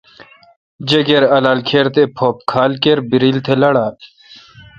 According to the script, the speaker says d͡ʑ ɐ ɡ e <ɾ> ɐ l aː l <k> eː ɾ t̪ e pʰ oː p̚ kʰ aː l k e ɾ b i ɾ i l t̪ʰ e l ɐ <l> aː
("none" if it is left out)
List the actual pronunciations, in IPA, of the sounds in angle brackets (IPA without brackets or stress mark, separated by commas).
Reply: ɾ, kʰ, ɽ